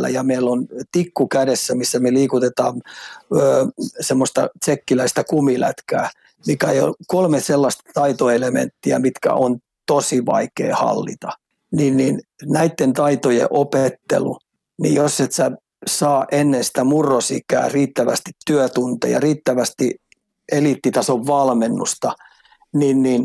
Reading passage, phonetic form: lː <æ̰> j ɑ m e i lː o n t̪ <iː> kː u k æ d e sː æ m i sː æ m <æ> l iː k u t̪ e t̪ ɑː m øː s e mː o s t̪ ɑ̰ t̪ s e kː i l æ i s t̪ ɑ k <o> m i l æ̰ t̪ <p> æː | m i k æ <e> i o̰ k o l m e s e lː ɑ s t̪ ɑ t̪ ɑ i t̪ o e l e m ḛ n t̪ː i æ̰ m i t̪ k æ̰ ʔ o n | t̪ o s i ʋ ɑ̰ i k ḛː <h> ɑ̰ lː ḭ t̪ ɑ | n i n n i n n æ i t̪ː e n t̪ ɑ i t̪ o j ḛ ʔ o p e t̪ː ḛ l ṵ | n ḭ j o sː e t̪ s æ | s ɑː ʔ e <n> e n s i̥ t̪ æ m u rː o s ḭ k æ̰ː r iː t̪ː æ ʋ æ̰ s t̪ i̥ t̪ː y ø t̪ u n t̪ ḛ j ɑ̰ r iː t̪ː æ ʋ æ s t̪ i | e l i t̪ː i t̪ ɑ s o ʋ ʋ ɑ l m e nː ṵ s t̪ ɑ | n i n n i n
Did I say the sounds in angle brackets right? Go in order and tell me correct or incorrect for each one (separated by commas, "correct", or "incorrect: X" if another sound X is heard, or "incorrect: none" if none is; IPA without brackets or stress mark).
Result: correct, incorrect: i, incorrect: e, incorrect: u, incorrect: k, correct, correct, incorrect: nː